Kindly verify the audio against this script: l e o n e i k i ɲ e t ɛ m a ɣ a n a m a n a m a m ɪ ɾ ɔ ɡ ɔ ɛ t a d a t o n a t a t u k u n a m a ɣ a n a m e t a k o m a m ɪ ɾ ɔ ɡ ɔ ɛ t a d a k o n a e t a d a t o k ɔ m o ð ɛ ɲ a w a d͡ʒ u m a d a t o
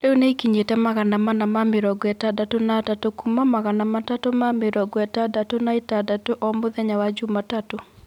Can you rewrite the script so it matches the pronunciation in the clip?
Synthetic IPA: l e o n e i k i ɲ e t ɛ m a ɣ a n a m a n a m a m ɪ ɾ ɔ ɡ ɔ ɛ t a d a t o n a t a t o k u m a m a ɣ a n a m a t a t o m a m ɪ ɾ ɔ ɡ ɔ ɛ t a d a t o n a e t a d a t o ʔ ɔ m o ð ɛ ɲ a w a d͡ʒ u m a t a t o